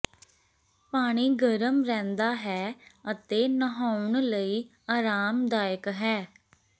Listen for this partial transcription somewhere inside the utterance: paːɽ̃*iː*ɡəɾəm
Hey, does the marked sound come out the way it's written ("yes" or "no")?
yes